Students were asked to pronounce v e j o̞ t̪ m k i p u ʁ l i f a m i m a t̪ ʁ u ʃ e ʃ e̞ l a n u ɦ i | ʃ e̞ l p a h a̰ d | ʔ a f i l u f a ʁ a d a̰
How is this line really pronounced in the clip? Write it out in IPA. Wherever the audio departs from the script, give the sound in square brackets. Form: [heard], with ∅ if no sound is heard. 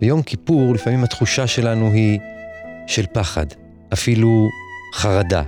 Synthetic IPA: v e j o̞ [∅] m k i p u ʁ l i f a m i m a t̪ [χ] u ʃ [a] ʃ e̞ l a n u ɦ i | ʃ e̞ l p a [χ] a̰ d | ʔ a f i l u [χ] a ʁ a d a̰